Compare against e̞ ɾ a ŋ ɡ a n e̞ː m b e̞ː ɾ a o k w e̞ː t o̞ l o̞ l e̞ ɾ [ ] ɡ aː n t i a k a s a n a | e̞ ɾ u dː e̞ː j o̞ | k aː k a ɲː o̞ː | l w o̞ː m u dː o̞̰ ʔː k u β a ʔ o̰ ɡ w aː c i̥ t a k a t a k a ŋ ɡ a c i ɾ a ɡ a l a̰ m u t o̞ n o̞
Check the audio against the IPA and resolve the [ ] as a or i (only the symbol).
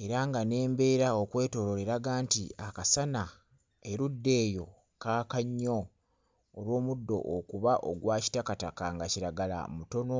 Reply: a